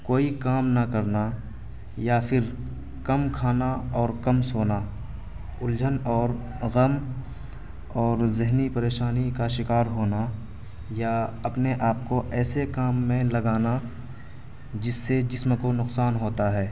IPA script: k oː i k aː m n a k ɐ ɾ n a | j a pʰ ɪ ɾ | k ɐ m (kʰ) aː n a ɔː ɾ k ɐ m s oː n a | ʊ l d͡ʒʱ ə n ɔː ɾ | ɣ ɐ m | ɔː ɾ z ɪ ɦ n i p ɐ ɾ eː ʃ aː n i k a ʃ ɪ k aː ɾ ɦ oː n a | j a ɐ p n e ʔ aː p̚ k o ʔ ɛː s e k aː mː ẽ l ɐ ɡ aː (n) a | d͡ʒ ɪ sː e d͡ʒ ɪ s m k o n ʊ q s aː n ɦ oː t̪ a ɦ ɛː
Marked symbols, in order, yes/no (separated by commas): yes, yes